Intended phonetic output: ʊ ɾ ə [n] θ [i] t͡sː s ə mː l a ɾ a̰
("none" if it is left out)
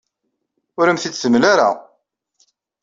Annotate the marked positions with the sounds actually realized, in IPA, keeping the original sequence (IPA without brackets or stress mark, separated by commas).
m, i